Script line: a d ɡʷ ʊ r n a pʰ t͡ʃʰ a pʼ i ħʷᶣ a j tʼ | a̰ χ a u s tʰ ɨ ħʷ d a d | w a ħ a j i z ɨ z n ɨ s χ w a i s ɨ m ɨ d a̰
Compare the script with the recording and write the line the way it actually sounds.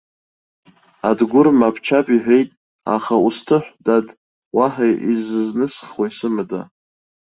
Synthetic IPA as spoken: a d ɡʷ ʊ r m a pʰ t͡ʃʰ a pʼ i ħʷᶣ e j tʼ | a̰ χ a u s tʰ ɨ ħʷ d a d | w a ħ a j i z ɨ z n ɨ s χ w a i s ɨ m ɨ d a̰